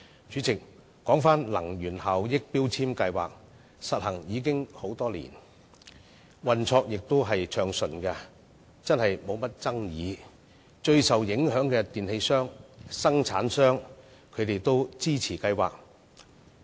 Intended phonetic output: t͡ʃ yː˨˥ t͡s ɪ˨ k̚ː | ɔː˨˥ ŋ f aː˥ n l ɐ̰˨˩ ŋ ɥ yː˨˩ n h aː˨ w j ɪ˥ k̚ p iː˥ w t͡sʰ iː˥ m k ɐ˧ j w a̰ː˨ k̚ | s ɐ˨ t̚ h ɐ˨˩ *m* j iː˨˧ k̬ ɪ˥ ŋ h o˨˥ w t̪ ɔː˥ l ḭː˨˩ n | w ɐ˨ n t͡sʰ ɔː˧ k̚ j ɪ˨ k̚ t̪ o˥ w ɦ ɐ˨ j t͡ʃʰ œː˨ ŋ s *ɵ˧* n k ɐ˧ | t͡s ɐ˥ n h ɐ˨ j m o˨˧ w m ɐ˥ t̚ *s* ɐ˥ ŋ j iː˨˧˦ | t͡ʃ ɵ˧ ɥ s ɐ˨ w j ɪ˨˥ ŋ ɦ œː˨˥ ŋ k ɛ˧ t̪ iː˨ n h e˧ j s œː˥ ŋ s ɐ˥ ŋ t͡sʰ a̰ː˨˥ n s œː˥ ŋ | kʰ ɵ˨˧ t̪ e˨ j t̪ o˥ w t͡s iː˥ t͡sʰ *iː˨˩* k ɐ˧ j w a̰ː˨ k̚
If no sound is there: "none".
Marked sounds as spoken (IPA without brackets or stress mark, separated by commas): ŋ, ɵ˨˩, t͡s, iː˨˩